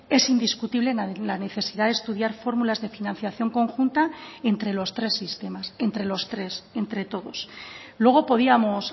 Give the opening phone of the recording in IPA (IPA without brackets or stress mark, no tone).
e̞